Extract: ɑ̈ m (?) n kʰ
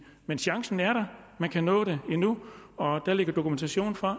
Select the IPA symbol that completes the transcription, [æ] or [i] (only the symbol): æ